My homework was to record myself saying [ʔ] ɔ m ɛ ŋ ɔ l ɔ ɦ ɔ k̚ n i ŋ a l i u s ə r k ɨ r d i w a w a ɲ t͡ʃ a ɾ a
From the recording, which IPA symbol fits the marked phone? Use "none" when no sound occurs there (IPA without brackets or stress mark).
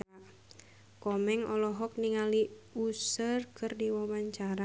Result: k